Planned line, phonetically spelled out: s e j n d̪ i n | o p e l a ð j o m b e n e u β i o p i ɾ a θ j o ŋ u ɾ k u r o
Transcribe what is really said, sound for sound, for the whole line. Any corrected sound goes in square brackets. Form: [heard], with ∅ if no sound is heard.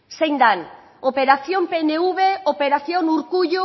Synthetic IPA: s e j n d̪ [a] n | o p e [ɾ] a [θ] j o m [p] e n e u β [e] o p [e] ɾ a θ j o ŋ u ɾ k u [ʎ] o